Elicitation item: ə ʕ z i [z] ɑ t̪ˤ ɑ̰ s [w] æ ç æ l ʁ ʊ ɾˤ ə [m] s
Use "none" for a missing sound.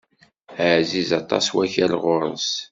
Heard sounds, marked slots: z, w, n

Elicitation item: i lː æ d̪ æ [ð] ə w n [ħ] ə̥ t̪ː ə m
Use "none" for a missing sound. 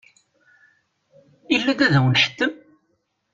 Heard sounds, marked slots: ð, ħ

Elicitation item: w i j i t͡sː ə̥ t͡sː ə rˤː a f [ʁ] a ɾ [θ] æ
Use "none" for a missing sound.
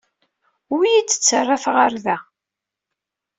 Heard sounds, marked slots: ʁ, ð

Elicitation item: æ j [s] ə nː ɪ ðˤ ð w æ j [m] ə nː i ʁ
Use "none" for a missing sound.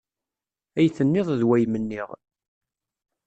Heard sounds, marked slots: θ, m

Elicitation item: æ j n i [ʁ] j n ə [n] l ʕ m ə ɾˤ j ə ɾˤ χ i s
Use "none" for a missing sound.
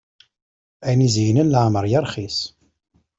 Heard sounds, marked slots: z, n

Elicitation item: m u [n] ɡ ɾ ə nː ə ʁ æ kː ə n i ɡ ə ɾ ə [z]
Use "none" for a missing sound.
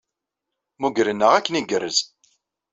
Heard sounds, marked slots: none, z

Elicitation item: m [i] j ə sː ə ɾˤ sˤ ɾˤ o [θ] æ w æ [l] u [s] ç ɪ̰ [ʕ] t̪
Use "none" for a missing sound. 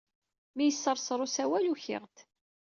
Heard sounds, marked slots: i, s, l, none, ʁ

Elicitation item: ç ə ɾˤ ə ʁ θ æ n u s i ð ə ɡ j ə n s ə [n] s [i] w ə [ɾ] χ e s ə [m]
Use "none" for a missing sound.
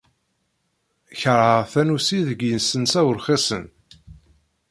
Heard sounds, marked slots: n, æ, ɾ, n

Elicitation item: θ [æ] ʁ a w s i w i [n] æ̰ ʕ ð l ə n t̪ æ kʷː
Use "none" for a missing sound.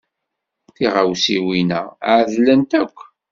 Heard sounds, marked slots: i, n

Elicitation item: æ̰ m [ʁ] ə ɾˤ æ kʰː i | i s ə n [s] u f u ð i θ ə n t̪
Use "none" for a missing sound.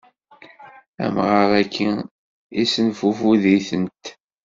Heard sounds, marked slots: ʁ, f

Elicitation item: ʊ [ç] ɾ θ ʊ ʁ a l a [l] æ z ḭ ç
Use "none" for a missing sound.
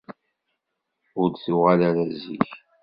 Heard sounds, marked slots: none, ɾ

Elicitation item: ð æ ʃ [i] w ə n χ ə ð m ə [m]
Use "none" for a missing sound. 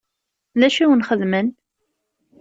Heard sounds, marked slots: i, n

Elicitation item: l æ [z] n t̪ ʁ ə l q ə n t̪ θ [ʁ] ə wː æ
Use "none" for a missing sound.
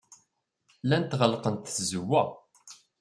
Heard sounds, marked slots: none, z

